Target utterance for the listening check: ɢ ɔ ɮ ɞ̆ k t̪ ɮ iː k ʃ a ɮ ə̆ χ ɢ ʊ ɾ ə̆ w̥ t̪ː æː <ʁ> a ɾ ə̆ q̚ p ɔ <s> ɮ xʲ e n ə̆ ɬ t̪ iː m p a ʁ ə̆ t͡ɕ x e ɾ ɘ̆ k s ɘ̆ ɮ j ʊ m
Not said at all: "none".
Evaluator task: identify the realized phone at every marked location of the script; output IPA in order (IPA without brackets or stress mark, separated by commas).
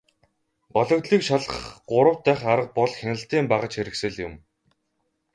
χ, none